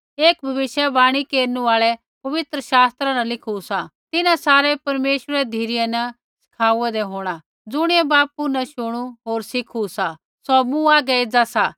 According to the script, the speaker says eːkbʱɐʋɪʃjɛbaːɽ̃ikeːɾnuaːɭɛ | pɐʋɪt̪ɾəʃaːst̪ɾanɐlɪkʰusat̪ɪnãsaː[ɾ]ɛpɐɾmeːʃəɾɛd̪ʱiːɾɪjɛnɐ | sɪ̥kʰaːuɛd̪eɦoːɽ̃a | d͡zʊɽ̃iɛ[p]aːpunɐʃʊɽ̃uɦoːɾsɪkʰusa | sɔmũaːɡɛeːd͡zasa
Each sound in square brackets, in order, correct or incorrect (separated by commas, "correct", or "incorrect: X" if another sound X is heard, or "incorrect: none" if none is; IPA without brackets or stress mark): correct, incorrect: b